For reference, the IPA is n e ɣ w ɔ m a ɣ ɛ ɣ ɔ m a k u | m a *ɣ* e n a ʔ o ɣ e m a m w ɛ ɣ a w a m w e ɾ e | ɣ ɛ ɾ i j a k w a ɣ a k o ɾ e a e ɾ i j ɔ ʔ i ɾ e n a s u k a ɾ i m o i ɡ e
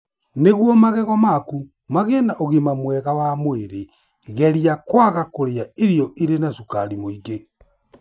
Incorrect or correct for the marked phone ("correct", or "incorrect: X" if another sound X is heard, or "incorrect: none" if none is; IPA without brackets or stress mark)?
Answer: correct